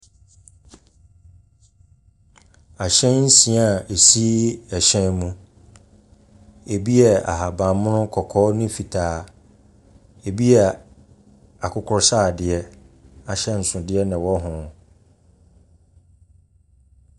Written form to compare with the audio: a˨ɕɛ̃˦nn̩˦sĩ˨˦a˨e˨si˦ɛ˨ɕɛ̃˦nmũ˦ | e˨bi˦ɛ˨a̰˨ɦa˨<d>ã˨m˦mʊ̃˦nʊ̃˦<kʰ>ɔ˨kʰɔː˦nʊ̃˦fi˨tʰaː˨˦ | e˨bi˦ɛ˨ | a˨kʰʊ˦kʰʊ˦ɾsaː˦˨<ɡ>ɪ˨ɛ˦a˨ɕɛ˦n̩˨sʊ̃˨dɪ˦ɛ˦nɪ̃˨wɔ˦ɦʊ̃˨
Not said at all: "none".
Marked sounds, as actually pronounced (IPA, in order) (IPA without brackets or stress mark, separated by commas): b, kʰ, d